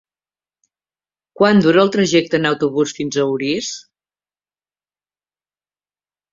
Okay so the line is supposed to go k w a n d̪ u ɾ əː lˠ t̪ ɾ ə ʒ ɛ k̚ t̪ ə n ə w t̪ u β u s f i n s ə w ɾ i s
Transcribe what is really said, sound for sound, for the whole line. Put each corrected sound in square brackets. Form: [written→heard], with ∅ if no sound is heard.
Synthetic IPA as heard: k w a n d̪ u ɾ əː lˠ t̪ ɾ ə ʒ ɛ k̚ t̪ ə n ə w t̪ u β u s f i n [s→z] ə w ɾ i s